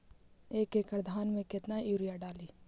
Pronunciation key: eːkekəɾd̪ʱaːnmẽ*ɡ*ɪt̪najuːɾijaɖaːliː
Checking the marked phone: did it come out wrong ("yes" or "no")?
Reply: yes